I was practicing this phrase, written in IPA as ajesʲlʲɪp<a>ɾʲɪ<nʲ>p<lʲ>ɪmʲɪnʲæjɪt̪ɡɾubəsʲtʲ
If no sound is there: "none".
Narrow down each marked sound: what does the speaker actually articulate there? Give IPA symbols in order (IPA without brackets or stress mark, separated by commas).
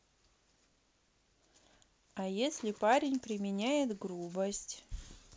a, nʲ, ɾʲ